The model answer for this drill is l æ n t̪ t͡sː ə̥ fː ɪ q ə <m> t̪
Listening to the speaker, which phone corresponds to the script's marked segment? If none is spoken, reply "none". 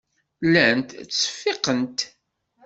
n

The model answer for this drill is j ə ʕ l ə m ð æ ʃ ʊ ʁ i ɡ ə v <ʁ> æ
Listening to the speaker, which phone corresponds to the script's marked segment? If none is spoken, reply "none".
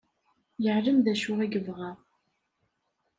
ʁ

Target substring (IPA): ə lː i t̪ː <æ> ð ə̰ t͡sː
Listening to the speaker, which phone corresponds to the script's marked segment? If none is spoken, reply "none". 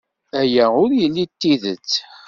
i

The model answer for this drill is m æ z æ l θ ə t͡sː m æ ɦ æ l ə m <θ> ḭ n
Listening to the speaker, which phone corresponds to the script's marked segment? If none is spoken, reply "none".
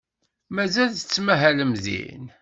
ð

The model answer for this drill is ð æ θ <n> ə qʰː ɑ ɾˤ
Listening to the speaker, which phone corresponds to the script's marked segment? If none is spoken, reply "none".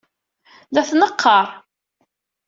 n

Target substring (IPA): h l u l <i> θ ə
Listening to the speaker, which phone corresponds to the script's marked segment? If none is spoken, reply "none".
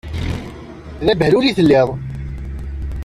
i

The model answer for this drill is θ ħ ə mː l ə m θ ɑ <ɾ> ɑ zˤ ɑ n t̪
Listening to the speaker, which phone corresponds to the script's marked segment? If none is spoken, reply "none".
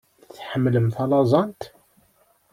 l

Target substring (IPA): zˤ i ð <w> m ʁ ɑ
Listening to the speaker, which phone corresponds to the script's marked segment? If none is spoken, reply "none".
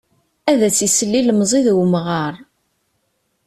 w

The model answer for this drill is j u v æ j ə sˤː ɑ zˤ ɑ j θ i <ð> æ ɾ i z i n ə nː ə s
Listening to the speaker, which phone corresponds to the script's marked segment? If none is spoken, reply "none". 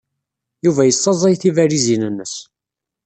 v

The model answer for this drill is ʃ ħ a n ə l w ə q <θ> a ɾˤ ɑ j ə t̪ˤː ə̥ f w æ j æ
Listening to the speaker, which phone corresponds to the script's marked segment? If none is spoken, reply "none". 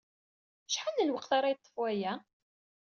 θ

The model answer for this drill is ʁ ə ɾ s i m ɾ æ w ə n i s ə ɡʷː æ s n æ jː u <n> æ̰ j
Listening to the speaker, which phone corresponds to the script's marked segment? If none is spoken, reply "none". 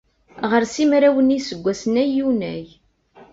n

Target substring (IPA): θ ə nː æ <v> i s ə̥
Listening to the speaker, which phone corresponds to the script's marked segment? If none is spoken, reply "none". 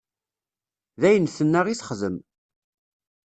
ʁ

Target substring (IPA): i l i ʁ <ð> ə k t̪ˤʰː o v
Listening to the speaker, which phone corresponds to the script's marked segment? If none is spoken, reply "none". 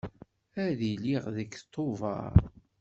ð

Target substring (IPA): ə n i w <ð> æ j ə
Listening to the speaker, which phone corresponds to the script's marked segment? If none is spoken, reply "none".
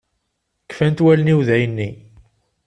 ð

